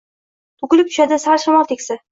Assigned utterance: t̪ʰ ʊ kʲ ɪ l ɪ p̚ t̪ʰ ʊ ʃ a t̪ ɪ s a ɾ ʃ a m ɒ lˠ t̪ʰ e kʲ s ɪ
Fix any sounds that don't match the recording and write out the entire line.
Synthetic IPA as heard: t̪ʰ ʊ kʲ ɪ l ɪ p̚ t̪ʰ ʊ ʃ a d̪ ɪ s a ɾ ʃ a m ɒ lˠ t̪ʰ e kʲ s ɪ